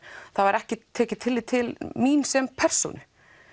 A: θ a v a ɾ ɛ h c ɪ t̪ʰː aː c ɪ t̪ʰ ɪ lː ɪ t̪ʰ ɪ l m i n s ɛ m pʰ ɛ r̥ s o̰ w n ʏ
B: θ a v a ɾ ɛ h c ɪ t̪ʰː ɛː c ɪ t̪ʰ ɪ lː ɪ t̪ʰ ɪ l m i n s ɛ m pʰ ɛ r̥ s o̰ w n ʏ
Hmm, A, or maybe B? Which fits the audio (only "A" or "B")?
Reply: B